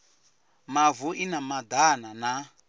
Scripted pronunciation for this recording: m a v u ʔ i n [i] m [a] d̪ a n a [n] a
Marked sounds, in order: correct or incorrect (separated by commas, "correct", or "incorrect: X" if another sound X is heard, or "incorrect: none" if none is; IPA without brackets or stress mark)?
incorrect: a, correct, correct